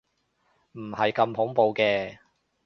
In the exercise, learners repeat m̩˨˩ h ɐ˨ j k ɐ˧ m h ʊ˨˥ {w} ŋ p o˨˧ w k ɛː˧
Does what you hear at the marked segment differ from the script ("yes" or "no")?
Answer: yes